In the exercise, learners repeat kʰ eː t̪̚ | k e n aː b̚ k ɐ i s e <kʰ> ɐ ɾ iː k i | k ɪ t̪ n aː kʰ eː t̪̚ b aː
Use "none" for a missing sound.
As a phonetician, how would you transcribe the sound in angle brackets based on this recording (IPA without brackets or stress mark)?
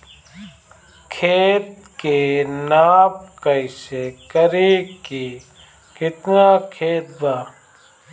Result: k